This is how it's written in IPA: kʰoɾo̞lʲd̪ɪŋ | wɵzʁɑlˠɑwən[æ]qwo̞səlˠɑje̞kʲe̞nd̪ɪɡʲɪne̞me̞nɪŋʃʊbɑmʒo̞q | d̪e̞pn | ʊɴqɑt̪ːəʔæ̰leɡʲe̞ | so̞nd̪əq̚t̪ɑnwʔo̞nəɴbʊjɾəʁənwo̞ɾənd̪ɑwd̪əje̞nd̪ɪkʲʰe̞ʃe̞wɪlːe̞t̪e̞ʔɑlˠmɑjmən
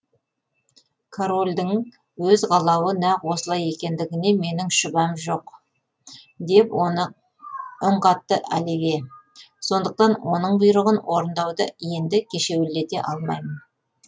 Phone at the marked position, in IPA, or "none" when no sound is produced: æ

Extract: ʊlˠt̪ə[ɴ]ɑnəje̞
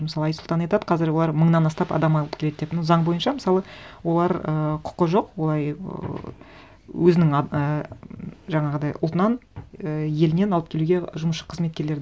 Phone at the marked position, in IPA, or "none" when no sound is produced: n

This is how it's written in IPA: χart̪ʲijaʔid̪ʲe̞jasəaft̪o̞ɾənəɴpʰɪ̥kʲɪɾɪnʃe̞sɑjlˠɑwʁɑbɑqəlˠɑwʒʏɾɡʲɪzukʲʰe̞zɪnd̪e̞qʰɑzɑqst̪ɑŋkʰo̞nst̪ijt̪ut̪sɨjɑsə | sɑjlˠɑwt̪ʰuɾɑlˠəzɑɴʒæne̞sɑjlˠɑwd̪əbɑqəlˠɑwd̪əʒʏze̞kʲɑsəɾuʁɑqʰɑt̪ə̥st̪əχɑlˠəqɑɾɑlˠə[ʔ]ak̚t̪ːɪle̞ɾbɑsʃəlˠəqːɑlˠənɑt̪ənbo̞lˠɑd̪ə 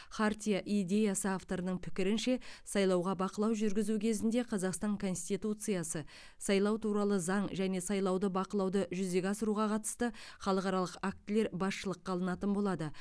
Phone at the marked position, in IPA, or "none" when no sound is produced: q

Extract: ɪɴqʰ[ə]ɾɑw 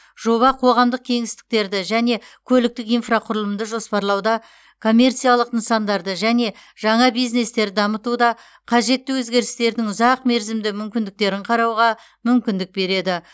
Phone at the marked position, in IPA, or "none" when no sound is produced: ɑ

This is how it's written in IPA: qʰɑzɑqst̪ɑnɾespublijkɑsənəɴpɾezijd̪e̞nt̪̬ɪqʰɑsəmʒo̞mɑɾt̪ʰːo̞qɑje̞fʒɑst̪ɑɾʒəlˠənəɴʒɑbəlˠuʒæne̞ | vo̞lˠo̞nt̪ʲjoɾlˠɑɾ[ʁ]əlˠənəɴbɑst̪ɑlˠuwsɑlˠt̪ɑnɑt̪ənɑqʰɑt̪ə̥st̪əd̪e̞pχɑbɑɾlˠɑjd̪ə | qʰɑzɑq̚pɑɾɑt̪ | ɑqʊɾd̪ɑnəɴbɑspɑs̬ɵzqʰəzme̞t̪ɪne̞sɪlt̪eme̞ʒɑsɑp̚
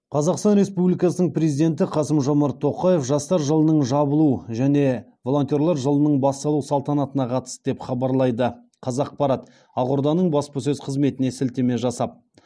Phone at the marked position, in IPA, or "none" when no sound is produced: ʒ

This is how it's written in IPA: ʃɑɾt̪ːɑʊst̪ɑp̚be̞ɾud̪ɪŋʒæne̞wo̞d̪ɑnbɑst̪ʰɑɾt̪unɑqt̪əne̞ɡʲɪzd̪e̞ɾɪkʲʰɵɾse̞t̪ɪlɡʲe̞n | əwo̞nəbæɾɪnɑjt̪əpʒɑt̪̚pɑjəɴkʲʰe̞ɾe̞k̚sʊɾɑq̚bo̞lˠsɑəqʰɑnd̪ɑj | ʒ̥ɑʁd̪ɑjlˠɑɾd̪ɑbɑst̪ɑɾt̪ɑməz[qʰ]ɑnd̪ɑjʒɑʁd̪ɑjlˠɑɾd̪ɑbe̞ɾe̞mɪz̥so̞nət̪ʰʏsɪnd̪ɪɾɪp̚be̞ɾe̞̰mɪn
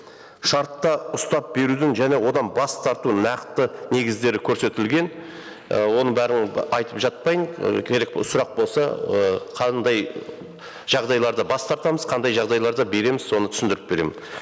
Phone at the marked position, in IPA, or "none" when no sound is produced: qʰ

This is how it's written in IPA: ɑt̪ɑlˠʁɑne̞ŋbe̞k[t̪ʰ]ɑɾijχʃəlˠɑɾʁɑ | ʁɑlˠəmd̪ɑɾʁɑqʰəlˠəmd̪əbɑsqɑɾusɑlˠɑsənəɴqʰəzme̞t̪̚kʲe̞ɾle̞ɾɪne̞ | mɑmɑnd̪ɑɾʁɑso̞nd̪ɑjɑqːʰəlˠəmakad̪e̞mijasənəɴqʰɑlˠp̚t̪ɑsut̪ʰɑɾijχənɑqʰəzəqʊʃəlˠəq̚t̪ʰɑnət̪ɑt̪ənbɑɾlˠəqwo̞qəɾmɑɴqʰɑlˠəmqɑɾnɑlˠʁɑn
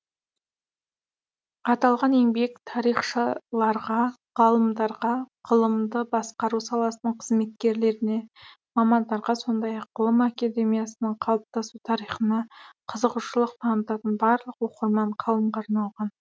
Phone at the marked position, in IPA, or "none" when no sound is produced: t̪ʰ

